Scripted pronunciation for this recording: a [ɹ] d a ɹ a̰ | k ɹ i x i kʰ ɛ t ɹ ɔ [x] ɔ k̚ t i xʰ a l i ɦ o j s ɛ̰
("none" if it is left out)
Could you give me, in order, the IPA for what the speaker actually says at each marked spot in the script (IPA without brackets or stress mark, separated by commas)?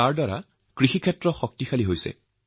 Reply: ɹ, x